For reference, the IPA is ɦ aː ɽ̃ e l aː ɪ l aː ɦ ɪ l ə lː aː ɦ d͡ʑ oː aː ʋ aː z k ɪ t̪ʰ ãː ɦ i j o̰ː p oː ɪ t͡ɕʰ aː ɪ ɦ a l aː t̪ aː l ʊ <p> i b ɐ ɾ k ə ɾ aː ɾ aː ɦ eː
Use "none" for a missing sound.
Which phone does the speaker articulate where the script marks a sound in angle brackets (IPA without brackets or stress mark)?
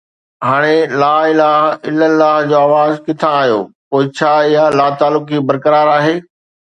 k